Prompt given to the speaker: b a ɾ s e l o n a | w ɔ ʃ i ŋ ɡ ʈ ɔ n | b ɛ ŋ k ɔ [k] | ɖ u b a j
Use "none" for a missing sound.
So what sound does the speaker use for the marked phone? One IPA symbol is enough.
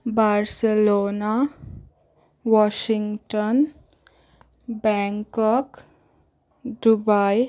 k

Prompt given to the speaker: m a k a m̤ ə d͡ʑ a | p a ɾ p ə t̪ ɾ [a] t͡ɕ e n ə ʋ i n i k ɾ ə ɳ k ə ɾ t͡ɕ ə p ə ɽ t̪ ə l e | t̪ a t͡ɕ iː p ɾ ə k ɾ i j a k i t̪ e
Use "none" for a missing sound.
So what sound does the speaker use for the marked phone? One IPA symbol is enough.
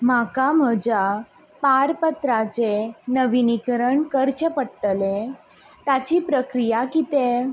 a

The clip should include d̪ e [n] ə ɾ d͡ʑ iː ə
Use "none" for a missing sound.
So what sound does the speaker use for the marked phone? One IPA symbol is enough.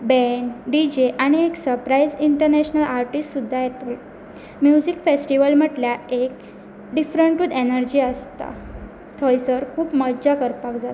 n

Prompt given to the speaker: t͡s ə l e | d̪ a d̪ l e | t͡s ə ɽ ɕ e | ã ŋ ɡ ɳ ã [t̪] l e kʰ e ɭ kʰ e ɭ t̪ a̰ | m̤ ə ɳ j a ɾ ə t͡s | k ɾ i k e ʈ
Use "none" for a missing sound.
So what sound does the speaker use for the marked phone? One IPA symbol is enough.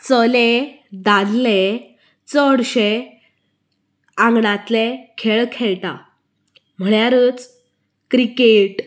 t̪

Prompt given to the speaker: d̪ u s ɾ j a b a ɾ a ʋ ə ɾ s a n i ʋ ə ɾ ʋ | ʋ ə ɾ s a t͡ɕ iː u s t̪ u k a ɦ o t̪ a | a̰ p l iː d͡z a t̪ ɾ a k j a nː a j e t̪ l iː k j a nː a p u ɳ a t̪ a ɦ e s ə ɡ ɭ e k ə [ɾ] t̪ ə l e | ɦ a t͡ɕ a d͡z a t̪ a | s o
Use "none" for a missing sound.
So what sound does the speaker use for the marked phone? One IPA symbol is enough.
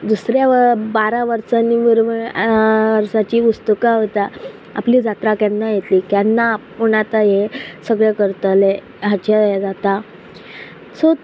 ɾ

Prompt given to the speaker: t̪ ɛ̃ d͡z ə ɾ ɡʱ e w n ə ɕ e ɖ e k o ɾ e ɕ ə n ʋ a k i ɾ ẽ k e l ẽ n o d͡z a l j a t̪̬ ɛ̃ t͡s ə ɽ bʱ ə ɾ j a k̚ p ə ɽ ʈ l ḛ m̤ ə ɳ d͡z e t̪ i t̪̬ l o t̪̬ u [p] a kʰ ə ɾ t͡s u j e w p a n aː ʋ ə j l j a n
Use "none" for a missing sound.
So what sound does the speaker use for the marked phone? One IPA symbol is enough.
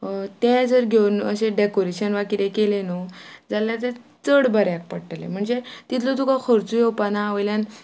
k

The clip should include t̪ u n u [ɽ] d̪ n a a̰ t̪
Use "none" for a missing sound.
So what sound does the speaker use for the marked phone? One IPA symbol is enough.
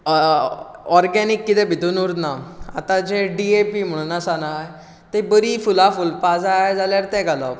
ɾ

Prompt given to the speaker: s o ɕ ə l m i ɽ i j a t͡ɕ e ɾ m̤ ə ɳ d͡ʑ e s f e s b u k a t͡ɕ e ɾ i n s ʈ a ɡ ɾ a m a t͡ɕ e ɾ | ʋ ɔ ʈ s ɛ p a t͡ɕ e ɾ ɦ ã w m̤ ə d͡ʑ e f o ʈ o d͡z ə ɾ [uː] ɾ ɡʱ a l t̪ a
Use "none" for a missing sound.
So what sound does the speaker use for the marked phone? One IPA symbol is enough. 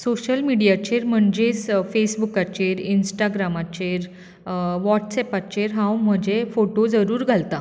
uː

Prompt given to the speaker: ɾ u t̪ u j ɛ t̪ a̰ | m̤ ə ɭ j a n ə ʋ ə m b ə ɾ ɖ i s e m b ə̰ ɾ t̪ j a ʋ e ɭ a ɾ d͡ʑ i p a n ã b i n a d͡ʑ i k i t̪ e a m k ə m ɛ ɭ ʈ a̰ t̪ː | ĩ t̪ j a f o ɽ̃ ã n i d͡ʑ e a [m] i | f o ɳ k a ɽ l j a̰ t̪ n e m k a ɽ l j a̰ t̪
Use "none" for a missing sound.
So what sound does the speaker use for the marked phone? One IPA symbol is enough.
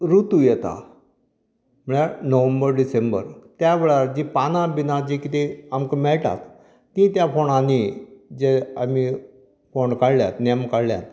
m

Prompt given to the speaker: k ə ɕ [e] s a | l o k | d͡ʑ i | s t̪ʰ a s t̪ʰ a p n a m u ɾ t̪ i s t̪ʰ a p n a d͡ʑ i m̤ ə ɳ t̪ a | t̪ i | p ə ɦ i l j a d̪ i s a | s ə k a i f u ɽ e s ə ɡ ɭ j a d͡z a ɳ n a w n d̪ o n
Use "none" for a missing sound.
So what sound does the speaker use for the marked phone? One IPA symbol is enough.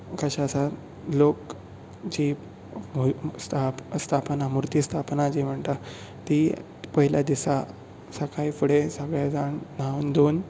a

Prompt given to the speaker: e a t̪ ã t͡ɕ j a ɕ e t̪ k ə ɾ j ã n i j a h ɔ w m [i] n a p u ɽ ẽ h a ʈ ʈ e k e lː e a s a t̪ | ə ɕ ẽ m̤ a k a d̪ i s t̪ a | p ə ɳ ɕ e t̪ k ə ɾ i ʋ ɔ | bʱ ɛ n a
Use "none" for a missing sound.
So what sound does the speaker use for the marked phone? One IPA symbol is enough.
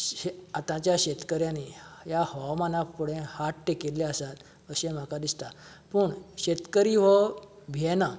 a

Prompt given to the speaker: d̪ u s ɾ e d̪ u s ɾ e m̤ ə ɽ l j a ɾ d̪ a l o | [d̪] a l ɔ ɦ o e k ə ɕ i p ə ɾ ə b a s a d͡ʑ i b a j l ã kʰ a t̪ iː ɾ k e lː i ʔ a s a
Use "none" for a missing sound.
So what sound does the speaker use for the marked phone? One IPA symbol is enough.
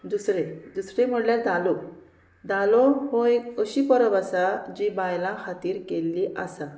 d̪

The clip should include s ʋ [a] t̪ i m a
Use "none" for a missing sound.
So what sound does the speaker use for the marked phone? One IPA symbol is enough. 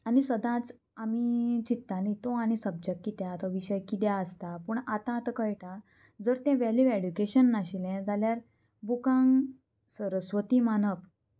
ə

